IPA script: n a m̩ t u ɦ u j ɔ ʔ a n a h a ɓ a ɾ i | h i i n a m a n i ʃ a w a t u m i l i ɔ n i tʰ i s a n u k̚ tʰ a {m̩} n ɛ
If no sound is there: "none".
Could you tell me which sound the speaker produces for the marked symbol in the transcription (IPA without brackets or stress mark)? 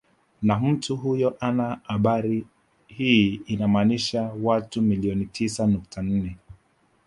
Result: n̩